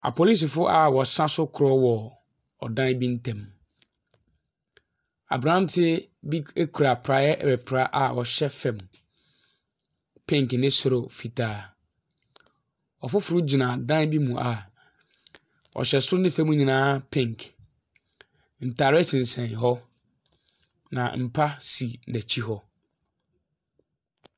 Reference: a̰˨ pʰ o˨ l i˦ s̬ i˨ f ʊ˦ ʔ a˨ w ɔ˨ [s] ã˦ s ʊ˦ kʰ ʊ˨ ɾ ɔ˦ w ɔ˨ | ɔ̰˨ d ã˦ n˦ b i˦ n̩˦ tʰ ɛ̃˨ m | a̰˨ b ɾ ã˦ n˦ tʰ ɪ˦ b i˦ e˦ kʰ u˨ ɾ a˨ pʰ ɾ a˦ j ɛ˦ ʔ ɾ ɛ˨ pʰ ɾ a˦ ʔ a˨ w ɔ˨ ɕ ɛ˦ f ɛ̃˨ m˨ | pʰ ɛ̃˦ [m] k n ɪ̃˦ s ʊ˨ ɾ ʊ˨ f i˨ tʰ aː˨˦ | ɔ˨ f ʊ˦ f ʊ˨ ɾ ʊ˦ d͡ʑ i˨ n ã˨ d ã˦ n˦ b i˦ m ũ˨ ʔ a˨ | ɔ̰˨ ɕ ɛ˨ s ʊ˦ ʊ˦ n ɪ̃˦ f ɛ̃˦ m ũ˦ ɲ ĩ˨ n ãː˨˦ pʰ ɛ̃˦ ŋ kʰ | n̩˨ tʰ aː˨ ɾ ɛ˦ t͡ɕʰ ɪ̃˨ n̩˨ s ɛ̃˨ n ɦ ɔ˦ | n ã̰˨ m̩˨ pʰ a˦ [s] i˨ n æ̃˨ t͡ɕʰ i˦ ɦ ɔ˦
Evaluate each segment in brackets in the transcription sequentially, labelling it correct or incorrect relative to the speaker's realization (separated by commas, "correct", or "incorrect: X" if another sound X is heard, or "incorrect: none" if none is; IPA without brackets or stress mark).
correct, incorrect: ŋ, correct